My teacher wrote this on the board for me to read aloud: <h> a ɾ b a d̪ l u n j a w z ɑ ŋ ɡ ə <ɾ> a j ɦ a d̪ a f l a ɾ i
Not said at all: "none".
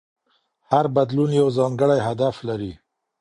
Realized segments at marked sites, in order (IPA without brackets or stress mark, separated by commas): h, ɽ